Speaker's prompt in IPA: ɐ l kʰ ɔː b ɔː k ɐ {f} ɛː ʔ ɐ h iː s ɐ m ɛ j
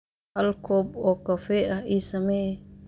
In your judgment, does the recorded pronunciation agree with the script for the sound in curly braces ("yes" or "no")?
yes